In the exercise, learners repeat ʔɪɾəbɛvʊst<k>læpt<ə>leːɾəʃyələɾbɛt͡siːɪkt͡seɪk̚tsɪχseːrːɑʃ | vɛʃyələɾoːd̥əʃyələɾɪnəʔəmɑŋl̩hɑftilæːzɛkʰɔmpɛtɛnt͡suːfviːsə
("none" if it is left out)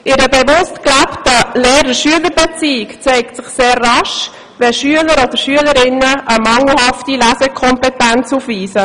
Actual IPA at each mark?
k, ə

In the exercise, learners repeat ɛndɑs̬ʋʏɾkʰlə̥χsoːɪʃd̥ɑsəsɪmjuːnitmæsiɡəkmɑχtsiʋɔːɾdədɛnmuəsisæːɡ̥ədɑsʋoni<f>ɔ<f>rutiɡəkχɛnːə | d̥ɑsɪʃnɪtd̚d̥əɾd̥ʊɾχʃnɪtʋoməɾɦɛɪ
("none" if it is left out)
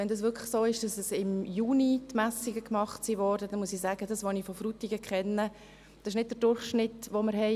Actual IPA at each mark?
f, f

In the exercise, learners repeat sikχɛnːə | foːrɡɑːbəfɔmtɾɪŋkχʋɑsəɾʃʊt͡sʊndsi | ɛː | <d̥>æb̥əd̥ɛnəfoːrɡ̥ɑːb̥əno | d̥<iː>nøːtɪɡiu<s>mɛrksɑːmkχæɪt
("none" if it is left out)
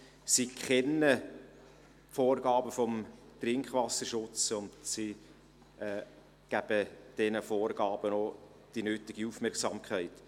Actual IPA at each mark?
ɡ̥, i, f

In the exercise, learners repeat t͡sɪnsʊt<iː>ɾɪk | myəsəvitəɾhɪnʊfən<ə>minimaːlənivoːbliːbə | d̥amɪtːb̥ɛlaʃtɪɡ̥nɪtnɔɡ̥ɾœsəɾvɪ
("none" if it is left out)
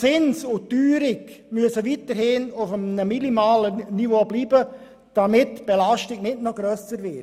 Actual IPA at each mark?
yː, ə

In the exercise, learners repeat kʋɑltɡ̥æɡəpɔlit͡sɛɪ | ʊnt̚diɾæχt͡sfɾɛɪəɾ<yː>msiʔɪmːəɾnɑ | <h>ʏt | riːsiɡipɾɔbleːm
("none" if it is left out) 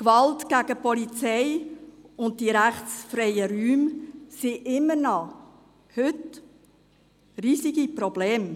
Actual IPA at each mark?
yː, h

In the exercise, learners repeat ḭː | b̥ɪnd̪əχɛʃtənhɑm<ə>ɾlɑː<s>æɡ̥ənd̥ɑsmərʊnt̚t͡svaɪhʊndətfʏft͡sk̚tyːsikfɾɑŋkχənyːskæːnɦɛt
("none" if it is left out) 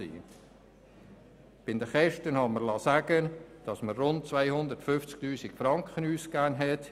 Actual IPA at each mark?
ə, s

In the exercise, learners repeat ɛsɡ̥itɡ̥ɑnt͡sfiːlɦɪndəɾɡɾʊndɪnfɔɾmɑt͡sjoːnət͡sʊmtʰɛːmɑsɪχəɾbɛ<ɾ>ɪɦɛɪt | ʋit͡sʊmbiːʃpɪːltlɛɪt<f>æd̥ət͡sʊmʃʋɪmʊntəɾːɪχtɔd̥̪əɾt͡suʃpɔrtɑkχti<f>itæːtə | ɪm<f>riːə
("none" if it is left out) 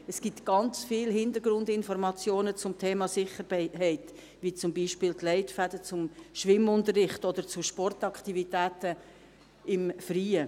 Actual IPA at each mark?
none, f, v, f

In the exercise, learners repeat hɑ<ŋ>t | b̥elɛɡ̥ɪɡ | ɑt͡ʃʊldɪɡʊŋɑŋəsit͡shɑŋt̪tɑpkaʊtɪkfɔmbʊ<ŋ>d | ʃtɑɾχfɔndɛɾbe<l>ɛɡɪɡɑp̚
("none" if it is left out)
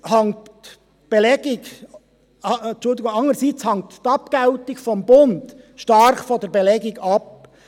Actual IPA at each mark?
ŋ, n, l

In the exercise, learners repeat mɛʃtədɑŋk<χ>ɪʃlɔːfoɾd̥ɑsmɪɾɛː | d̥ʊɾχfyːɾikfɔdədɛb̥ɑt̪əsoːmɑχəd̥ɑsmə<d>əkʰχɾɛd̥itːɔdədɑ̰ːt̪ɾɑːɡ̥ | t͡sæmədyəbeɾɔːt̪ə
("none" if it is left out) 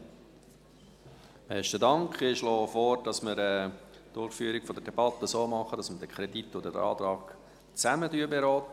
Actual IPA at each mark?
χ, d

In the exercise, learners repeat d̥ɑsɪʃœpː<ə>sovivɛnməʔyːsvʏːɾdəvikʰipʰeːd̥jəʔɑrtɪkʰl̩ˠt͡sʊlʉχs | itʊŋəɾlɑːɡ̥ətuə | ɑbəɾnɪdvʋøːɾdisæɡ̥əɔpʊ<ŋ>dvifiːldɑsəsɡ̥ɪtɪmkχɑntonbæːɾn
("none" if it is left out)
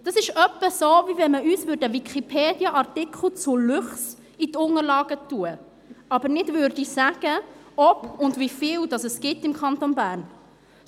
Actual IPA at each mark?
ə, n

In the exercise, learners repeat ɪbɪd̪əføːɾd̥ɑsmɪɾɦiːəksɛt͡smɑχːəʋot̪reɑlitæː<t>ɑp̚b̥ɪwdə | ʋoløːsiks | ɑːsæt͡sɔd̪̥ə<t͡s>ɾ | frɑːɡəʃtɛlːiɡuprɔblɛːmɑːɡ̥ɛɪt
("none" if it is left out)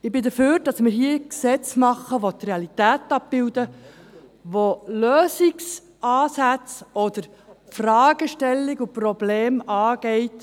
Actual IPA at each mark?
t, none

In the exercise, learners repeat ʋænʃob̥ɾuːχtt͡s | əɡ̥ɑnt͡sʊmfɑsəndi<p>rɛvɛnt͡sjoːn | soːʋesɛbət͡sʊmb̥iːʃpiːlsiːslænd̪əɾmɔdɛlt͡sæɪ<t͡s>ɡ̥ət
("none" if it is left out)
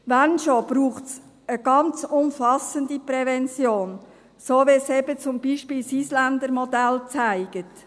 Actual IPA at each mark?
p, none

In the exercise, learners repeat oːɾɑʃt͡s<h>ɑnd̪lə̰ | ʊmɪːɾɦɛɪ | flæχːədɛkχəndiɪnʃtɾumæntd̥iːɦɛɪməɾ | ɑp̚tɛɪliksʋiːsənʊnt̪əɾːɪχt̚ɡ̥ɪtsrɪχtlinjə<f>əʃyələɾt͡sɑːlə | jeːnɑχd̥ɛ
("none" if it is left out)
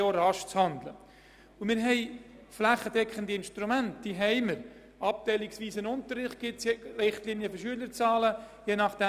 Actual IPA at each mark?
h, f

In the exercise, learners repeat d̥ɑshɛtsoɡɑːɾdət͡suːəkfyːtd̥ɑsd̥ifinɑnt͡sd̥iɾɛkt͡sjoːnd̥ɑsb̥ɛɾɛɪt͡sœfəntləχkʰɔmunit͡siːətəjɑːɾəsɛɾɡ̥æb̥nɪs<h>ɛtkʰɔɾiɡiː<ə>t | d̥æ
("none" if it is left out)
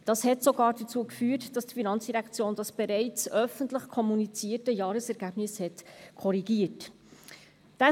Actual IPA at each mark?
h, ə

